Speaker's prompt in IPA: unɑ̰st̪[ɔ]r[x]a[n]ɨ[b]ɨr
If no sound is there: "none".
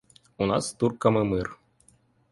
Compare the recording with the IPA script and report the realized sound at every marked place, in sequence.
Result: u, k, m, m

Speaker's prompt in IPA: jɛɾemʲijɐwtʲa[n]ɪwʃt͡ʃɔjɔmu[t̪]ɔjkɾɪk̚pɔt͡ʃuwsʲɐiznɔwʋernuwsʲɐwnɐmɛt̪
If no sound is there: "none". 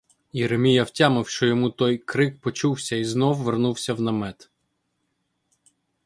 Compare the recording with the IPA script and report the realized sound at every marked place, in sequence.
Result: m, t̪

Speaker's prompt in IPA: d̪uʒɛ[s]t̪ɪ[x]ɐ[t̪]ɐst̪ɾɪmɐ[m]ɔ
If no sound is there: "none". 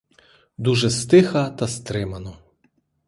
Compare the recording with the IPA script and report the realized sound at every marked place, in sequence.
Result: s, x, t̪, n

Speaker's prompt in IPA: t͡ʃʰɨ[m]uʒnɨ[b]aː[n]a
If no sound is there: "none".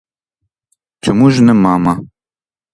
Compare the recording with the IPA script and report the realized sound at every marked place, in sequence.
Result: m, m, m

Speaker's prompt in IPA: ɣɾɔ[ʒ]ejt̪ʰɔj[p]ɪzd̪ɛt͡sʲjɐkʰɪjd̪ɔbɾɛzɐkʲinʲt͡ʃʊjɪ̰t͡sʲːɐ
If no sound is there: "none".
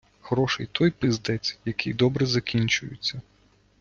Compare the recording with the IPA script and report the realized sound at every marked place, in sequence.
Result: ʃ, p

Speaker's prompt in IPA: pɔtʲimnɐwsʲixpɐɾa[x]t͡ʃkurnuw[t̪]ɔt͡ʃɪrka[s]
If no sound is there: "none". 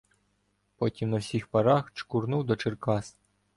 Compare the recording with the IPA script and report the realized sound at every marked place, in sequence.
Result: x, d̪, s

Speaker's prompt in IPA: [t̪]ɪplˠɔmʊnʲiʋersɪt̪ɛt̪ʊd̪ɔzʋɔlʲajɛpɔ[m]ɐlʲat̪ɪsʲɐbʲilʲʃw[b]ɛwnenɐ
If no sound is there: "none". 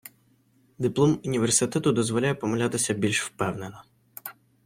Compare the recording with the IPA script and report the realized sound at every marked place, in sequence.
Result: d̪, m, p

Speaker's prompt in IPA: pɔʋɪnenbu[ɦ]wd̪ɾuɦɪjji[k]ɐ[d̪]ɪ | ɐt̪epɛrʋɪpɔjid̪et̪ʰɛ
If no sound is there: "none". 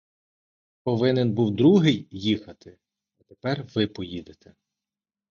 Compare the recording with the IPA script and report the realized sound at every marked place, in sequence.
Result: none, x, t̪

